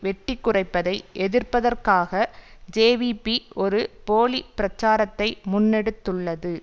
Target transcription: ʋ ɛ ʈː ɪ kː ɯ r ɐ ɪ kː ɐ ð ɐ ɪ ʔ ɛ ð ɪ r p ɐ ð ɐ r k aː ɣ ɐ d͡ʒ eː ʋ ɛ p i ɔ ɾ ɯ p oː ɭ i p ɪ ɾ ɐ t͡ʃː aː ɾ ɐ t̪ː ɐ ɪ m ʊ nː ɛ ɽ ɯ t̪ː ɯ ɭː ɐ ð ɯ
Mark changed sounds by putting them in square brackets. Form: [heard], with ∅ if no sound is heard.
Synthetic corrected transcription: ʋ ɛ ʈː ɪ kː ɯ r ɐ ɪ [pː] ɐ ð ɐ ɪ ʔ ɛ ð ɪ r p ɐ ð ɐ r k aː ɣ ɐ d͡ʒ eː ʋ [i] p i ɔ ɾ ɯ p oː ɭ i p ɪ ɾ ɐ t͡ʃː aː ɾ ɐ t̪ː ɐ ɪ m ʊ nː ɛ ɽ ɯ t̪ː ɯ ɭː ɐ ð ɯ